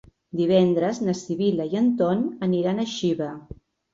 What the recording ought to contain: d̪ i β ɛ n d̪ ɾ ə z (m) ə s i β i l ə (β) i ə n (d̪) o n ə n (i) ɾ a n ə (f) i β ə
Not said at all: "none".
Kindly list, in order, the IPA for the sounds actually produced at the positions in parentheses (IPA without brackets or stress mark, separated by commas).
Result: n, none, t̪, i, ʃ